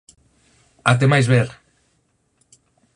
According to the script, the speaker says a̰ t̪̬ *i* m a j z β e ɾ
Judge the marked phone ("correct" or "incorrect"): incorrect